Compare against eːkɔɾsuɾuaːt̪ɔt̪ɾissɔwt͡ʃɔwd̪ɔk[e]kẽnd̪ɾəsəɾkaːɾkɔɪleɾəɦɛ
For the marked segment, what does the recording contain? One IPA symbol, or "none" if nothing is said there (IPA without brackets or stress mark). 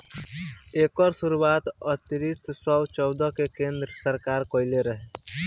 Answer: e